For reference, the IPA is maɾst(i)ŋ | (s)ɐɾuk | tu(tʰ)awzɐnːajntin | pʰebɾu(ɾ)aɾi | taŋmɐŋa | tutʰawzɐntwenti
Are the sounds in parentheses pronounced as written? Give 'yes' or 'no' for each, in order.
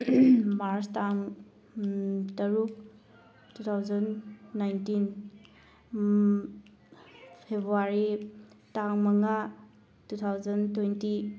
no, no, yes, no

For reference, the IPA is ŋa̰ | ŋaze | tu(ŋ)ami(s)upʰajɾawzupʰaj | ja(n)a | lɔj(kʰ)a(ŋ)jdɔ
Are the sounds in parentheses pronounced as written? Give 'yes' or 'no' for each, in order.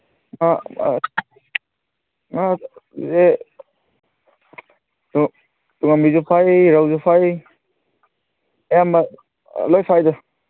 yes, no, no, no, no

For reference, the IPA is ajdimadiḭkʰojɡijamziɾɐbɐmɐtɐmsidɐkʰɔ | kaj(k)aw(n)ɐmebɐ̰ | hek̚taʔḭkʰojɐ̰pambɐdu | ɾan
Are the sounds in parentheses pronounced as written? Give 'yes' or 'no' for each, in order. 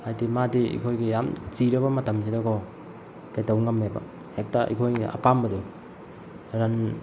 no, no

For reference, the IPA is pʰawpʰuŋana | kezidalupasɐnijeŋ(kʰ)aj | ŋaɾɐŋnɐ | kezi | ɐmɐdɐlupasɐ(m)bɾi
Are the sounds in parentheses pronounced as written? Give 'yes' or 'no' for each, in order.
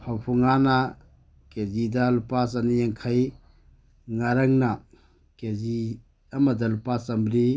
yes, yes

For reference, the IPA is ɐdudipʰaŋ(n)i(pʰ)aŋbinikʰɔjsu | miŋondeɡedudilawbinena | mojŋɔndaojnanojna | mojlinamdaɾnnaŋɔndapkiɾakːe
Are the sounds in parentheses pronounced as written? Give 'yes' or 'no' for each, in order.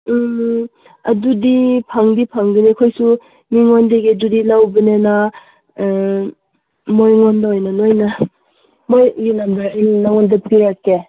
no, yes

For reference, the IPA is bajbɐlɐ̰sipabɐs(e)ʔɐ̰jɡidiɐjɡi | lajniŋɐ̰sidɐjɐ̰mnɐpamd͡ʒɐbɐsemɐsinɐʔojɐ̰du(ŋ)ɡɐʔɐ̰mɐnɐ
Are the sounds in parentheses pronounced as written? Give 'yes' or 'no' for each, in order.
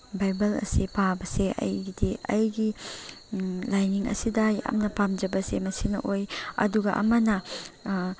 yes, no

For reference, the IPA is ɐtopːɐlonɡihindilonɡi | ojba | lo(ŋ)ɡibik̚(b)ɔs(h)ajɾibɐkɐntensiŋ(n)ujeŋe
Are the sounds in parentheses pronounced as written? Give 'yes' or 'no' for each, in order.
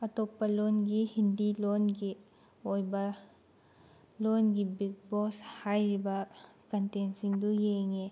no, yes, yes, no

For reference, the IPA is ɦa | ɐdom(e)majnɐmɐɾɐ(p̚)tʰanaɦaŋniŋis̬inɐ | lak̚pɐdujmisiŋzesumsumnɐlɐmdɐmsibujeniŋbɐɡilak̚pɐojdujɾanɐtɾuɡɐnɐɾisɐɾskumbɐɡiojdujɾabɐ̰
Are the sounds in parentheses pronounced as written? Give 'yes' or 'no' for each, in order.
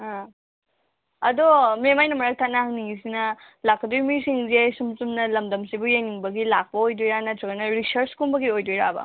yes, no

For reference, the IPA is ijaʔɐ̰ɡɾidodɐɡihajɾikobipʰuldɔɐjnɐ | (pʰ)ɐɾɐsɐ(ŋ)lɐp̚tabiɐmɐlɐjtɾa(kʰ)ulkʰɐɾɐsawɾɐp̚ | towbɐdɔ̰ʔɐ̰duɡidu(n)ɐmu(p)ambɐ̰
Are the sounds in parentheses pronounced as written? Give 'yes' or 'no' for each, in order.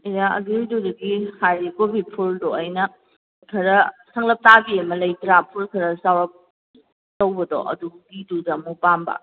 no, yes, no, no, yes

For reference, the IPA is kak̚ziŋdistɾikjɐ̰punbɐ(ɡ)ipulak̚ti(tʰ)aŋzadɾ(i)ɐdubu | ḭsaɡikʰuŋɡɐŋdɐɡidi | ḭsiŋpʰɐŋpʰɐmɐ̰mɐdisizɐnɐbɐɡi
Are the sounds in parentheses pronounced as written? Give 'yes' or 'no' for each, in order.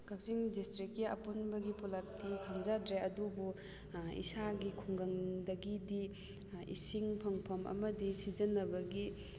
yes, no, no

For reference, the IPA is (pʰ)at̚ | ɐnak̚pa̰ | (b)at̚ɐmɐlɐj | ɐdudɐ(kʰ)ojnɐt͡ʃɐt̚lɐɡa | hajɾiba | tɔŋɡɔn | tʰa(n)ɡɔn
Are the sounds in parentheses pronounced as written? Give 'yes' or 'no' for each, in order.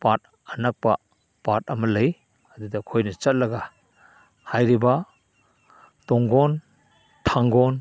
no, no, yes, no

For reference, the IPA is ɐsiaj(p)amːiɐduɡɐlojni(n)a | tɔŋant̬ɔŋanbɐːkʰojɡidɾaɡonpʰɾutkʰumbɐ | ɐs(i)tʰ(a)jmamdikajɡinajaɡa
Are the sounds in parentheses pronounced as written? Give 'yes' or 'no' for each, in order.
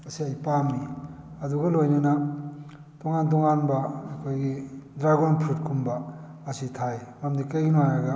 yes, yes, yes, yes

